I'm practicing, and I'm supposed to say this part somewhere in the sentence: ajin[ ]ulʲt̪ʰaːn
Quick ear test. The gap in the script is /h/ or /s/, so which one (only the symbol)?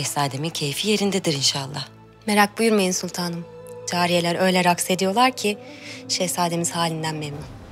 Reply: s